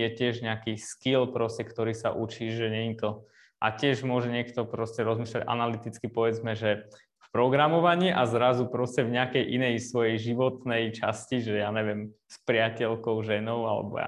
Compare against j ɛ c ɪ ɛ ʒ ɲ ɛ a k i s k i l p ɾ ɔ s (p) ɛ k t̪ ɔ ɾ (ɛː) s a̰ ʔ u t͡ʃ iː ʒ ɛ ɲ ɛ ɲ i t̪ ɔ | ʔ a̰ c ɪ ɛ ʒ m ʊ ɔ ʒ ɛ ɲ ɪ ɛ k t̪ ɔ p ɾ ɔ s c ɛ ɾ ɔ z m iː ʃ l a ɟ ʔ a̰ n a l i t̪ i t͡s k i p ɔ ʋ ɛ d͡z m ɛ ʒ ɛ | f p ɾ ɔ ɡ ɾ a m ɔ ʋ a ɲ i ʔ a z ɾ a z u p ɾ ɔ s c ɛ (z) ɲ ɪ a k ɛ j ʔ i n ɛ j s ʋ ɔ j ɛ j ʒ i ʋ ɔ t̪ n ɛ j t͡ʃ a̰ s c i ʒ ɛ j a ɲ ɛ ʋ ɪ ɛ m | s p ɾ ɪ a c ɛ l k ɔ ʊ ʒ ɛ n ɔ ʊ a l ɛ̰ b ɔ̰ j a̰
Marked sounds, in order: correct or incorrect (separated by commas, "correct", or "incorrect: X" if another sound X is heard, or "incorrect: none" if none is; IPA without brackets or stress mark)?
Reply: incorrect: c, incorrect: iː, incorrect: v